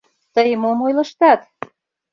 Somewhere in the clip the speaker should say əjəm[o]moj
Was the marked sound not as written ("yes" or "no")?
no